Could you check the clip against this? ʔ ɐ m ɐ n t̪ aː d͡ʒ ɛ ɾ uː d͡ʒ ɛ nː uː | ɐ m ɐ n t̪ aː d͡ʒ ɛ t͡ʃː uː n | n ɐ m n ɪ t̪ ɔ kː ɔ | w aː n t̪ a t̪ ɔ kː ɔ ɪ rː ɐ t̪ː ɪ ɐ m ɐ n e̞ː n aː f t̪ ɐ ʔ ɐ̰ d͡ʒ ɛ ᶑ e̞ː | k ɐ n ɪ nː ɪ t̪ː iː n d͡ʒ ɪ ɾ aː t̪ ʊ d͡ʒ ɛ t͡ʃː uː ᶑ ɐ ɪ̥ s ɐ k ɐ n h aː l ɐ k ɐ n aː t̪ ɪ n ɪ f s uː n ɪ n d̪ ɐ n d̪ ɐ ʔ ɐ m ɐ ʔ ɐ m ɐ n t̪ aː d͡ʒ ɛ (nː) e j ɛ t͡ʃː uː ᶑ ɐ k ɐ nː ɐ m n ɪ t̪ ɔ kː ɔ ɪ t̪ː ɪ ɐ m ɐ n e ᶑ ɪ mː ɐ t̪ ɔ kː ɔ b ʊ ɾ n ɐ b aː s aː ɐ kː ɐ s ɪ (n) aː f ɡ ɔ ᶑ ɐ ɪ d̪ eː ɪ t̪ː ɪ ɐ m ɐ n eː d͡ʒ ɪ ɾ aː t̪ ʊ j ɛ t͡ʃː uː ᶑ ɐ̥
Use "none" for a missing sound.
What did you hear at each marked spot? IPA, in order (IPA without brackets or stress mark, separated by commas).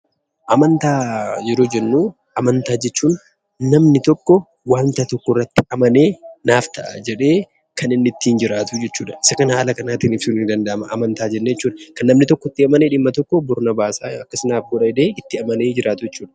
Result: nː, n